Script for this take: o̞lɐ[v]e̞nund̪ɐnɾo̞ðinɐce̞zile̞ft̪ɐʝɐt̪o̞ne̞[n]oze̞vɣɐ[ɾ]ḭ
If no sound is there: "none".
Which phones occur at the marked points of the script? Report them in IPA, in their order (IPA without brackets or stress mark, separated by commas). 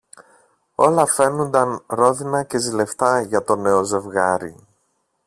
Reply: f, none, ɾ